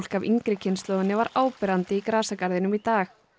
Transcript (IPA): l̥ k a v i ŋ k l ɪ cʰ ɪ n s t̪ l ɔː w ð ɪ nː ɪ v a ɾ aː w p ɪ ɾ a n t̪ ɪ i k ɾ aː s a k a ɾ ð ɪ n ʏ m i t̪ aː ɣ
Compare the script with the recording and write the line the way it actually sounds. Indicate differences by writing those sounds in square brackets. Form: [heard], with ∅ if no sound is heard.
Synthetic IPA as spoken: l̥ k a v i ŋ k [ɾ] ɪ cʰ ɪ n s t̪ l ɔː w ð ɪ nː ɪ v a ɾ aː w p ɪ ɾ a n t̪ ɪ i k ɾ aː s a k a ɾ ð ɪ n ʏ m i t̪ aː [x]